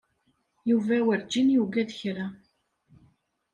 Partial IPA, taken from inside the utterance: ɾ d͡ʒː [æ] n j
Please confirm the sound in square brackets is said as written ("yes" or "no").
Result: no